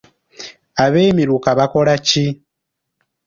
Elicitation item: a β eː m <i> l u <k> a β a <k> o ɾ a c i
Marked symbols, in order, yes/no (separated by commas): yes, yes, yes